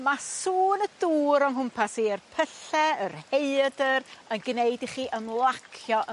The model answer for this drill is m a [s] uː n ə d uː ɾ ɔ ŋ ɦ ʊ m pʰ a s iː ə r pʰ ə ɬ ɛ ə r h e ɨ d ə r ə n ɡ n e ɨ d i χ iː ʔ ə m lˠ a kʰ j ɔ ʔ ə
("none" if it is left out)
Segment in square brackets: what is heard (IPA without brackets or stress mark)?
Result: s